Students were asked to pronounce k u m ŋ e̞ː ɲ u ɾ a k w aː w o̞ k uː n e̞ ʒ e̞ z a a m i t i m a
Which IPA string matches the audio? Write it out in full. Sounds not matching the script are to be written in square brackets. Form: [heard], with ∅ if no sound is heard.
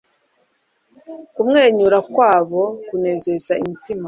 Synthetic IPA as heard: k u m ŋ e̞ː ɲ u ɾ a k w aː [β] o̞ k [u] n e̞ [z] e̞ z a [i] m i t i m a